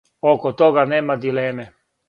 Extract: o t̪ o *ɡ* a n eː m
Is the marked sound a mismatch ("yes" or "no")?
no